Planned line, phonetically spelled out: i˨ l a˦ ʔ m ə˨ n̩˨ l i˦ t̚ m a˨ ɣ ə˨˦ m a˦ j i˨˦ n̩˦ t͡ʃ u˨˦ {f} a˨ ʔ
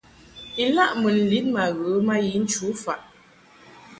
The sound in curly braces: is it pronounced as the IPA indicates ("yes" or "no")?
yes